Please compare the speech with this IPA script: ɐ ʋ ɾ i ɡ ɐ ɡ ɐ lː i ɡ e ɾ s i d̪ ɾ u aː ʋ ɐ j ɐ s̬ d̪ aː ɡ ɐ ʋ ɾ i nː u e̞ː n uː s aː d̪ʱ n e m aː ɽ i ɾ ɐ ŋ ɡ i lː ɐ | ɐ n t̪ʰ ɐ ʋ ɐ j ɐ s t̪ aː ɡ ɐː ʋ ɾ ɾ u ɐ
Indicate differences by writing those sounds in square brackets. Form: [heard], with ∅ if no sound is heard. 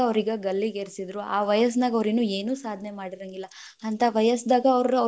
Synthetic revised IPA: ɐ ʋ ɾ i ɡ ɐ ɡ ɐ lː i ɡ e ɾ s i d̪ ɾ u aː ʋ ɐ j ɐ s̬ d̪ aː ɡ ɐ ʋ ɾ i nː u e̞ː n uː s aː d̪ʱ n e m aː ɽ i ɾ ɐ ŋ ɡ i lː ɐ | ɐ n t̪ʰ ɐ ʋ ɐ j ɐ s [d̪] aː ɡ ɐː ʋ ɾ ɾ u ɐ